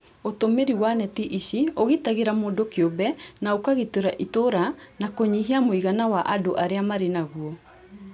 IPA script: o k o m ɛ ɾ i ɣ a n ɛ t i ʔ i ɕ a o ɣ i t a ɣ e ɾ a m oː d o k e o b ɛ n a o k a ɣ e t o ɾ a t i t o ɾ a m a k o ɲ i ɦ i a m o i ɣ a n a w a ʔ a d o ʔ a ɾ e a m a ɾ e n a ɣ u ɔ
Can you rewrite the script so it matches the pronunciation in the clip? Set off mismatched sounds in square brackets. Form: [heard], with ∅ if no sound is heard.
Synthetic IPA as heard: o [t] o m [e] ɾ i [w] a n ɛ t i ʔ i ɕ [i] o ɣ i t a ɣ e ɾ a m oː d o k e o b ɛ n a o k a ɣ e t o ɾ a [ʔ] i t o ɾ a [n] a k o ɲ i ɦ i a m o i ɣ a n a w a ʔ a d o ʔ a ɾ e a m a ɾ e n a ɣ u ɔ